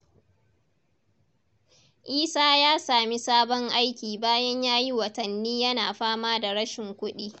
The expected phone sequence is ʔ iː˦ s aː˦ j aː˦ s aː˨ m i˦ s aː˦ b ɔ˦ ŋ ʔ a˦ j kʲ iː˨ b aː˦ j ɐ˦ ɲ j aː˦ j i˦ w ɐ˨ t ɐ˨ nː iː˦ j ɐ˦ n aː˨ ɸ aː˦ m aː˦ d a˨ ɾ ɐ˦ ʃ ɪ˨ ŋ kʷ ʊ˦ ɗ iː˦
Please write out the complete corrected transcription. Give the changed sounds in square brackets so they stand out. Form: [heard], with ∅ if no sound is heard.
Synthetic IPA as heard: ʔ iː˦ s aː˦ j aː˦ s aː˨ m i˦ s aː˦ b ɔ˦ ŋ ʔ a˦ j kʲ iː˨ b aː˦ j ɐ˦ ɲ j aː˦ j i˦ w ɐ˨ t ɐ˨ nː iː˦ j ɐ˦ n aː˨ ɸ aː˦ m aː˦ d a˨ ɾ ɐ˦ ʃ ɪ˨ ŋ kʷ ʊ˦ ɗ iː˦